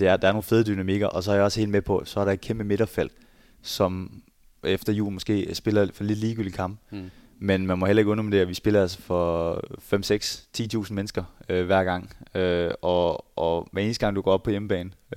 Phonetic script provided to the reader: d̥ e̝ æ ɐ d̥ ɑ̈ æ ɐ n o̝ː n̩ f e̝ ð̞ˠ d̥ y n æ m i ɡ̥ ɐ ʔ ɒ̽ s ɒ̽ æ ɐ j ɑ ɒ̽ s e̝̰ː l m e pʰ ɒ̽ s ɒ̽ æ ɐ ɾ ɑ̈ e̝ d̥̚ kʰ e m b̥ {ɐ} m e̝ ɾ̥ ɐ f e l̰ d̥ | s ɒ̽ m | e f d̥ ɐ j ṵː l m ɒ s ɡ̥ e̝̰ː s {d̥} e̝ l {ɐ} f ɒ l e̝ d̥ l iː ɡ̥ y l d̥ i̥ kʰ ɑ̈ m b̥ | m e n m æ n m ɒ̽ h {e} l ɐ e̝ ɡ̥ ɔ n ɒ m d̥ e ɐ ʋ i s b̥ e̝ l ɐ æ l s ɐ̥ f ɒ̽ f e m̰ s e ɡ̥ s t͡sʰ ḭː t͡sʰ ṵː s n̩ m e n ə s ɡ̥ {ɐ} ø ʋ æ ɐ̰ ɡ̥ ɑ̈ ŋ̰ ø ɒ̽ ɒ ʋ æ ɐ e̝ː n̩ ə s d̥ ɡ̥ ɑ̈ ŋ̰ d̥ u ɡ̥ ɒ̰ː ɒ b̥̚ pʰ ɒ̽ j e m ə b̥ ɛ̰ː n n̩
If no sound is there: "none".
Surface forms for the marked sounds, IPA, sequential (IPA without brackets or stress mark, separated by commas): ə, b̥, ɐ, e, ɐ